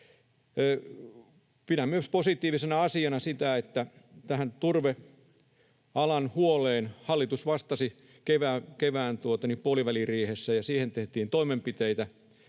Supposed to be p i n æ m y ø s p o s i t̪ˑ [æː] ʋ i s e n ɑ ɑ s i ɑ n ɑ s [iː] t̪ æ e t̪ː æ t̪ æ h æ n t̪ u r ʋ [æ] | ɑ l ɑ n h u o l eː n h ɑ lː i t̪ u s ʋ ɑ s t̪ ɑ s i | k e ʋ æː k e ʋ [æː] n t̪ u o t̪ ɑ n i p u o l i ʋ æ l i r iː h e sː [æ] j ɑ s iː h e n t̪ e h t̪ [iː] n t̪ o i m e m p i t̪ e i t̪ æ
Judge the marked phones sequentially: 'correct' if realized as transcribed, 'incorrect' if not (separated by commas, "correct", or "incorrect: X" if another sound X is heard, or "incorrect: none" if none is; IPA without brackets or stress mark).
incorrect: iː, incorrect: i, incorrect: e, correct, correct, correct